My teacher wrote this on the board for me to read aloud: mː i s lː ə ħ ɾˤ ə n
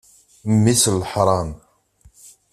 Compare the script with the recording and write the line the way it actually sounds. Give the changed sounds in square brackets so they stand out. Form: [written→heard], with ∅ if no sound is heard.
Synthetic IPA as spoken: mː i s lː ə ħ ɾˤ [ə→ɑ] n